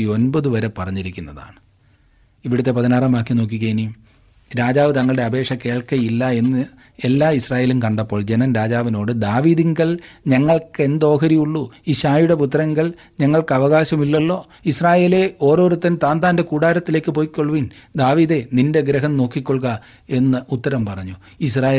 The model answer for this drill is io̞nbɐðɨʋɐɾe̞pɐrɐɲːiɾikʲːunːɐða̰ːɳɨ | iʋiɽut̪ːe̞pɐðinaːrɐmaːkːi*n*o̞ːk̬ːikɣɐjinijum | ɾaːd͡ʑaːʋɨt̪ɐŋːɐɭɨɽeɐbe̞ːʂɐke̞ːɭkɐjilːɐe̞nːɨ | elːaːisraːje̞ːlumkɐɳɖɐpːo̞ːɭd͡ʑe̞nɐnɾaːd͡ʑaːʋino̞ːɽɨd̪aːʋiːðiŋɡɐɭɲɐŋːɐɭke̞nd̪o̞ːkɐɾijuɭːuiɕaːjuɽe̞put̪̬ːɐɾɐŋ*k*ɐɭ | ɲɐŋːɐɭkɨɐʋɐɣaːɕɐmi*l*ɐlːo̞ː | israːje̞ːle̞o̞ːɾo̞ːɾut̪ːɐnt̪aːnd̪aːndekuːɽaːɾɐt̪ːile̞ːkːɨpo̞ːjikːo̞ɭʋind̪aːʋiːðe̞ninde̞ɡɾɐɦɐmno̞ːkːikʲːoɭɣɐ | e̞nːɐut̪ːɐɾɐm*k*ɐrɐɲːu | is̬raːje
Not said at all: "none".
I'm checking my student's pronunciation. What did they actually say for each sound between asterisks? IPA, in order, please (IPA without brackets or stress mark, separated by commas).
n, ɡ, lː, p